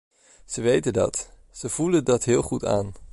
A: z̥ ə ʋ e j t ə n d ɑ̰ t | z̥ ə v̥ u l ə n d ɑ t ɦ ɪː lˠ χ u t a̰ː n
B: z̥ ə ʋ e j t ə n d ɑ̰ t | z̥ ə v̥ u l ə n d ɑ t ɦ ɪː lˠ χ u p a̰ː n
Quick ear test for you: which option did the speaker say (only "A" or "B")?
A